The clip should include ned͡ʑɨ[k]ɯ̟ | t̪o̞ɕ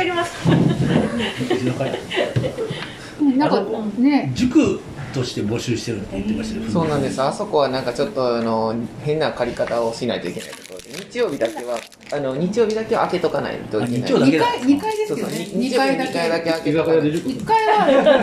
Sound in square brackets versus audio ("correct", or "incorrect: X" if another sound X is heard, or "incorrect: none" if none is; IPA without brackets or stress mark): correct